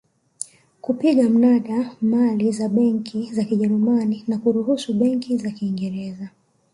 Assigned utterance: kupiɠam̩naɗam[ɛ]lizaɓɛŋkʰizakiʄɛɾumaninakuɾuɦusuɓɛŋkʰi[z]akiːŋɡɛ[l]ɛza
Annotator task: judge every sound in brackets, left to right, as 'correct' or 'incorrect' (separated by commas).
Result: incorrect, correct, incorrect